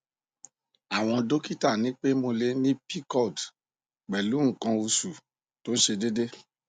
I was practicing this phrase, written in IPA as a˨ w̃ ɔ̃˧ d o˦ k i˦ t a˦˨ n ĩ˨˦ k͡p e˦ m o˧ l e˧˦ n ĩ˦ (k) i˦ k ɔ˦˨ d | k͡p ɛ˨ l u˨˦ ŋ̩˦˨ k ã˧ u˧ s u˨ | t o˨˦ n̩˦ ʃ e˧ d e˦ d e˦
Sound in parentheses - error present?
yes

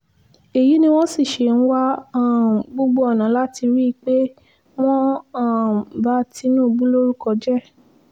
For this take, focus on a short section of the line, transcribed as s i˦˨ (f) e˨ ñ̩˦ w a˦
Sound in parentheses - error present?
yes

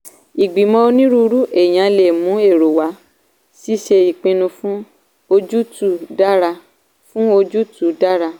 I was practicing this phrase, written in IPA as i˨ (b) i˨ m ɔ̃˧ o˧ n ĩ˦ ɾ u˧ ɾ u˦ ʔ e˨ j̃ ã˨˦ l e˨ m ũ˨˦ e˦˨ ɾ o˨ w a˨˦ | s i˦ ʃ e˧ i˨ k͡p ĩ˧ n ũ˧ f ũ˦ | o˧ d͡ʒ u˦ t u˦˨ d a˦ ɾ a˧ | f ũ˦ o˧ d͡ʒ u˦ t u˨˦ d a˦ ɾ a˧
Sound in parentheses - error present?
yes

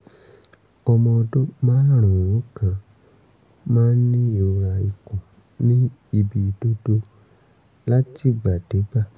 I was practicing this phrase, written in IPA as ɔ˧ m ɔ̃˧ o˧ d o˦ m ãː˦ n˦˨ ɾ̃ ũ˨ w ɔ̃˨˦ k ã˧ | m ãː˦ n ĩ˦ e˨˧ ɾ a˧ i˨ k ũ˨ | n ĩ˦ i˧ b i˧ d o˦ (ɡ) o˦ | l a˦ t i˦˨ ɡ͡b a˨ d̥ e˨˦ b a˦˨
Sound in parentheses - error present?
yes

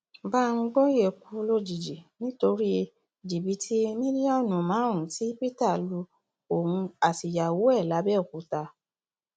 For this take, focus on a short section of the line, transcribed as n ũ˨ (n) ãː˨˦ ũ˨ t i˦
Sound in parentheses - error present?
yes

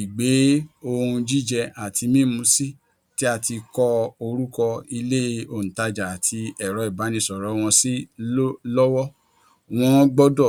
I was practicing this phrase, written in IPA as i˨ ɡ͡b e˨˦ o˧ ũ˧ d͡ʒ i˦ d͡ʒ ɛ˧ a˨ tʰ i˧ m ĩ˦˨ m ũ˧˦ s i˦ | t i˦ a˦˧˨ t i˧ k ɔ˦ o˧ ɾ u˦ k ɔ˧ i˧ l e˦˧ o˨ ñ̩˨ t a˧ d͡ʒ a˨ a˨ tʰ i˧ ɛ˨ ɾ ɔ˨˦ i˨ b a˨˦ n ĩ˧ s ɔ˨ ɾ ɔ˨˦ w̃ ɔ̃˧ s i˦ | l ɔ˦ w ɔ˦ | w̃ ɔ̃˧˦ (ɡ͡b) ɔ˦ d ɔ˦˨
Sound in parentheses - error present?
no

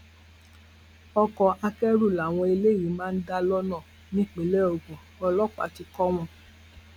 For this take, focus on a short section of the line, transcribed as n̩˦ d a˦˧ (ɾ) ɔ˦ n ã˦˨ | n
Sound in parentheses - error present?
yes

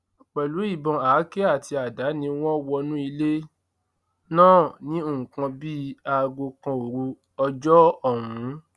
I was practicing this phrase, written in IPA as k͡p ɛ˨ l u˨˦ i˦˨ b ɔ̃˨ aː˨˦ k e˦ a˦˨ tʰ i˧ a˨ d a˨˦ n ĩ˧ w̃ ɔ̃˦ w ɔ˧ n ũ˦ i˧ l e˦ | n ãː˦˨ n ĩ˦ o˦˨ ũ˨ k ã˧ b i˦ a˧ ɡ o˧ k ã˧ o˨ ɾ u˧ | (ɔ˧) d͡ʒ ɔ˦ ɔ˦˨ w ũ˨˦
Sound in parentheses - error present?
no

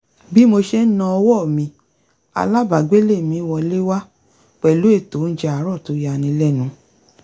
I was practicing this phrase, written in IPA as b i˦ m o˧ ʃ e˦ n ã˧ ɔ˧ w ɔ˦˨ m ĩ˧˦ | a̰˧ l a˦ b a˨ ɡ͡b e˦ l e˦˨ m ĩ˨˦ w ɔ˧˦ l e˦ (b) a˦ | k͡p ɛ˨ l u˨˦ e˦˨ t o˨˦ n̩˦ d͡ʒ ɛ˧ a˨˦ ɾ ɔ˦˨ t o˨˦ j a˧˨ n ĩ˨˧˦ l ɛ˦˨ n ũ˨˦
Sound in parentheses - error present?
yes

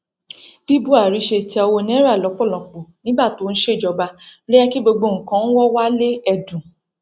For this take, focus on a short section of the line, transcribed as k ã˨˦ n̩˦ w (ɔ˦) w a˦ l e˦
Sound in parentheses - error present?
no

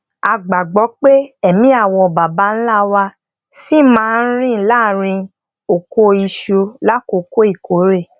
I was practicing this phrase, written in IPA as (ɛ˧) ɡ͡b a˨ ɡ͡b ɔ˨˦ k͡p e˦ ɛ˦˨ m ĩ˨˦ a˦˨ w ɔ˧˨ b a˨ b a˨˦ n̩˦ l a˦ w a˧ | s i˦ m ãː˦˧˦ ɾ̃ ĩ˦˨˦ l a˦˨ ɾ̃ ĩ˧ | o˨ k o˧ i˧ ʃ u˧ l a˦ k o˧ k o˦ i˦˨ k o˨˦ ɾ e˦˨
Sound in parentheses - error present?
yes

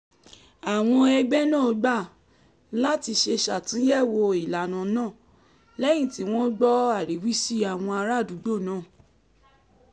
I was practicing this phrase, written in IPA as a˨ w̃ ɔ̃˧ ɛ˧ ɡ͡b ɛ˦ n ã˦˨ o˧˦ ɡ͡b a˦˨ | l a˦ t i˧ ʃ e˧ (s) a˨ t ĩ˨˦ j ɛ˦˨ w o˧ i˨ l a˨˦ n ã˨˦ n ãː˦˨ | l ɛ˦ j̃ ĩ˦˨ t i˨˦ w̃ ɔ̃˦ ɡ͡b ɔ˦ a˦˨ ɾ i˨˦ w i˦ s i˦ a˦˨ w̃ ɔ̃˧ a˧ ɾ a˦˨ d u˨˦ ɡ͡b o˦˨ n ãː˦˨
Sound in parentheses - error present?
yes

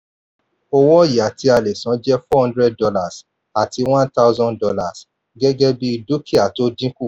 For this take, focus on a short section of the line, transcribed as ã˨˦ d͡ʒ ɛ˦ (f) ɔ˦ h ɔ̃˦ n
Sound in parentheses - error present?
no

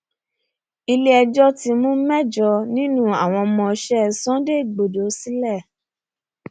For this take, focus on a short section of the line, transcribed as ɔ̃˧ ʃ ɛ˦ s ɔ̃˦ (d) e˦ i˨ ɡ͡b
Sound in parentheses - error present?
no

